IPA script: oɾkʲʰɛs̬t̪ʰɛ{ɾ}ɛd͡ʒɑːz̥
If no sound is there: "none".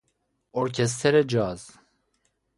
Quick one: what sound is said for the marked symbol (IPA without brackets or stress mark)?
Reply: ɾ